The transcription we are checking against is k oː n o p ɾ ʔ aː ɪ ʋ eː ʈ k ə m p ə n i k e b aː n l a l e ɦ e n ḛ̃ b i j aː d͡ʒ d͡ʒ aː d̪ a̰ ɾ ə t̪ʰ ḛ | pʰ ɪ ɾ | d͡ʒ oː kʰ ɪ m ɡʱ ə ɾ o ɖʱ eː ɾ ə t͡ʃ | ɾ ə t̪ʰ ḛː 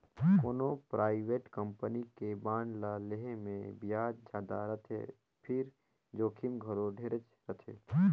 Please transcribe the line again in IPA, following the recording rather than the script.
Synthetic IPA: k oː n o p ɾ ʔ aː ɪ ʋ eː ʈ k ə m p ə n i k e b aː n l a l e ɦ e m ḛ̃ b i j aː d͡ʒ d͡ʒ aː d̪ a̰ ɾ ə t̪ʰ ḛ | pʰ ɪ ɾ | d͡ʒ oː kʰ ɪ m ɡʱ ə ɾ o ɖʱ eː ɾ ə t͡ʃ | ɾ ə t̪ʰ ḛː